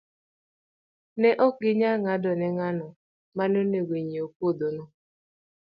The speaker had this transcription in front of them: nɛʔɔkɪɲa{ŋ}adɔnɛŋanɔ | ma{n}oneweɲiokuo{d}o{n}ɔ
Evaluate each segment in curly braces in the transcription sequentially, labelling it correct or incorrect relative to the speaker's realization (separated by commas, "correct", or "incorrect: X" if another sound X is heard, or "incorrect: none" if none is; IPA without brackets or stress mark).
correct, correct, correct, correct